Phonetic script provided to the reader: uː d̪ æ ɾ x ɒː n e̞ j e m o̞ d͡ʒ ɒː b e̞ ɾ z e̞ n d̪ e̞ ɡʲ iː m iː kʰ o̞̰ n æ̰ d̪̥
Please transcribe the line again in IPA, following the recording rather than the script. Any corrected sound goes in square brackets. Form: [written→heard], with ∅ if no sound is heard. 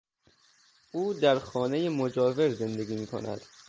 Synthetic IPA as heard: uː d̪ æ ɾ x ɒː n e̞ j e m o̞ d͡ʒ ɒː [b→v] e̞ ɾ z e̞ n d̪ e̞ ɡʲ iː m iː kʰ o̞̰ n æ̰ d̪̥